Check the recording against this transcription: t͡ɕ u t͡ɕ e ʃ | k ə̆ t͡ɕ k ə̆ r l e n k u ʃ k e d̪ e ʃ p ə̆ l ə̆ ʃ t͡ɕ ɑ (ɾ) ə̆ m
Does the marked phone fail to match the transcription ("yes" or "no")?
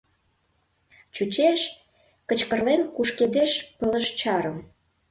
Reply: no